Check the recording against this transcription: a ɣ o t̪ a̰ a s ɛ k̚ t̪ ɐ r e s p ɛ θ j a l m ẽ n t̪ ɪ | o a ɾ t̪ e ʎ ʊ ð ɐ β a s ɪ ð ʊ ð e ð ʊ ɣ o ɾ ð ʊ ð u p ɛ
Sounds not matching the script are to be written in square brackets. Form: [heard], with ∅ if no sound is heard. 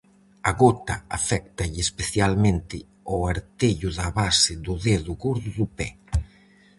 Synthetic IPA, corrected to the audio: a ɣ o t̪ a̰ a [f] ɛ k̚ t̪ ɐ [ʎ] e s p [e] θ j a l m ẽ n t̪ ɪ | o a ɾ t̪ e ʎ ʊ ð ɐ β a s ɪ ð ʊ ð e ð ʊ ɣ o ɾ ð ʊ ð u p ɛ